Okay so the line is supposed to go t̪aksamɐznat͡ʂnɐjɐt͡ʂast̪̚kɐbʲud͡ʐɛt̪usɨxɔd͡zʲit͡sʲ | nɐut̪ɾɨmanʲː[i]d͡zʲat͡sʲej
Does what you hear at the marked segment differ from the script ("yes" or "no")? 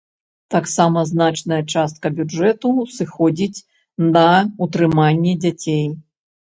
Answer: yes